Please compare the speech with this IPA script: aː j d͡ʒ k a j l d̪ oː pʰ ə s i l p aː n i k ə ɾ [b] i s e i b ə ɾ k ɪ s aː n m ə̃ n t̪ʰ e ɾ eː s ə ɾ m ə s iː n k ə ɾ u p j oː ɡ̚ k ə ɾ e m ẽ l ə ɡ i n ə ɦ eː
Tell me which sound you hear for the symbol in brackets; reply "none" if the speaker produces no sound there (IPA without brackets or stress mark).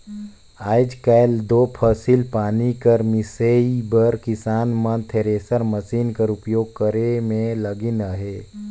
m